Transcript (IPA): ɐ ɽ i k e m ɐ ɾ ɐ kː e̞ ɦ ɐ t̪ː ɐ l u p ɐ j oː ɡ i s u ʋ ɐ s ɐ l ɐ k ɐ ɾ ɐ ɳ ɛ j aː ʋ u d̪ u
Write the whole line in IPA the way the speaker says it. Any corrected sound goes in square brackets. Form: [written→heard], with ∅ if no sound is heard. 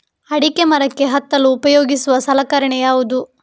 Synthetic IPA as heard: ɐ ɽ i k e m ɐ ɾ ɐ kː e̞ ɦ ɐ t̪ː ɐ l [u→uː] p ɐ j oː ɡ i s u ʋ ɐ s ɐ l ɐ k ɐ ɾ ɐ ɳ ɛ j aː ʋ u d̪ u